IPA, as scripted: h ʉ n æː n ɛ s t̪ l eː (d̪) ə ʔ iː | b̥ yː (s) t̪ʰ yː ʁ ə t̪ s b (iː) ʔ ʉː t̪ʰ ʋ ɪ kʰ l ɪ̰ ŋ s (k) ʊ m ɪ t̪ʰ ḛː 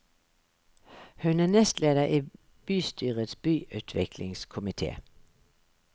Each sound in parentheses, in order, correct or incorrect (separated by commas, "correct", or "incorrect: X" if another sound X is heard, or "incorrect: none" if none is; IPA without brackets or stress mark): correct, correct, incorrect: yː, incorrect: kʰ